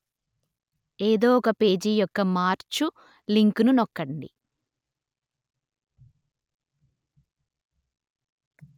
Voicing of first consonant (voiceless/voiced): voiced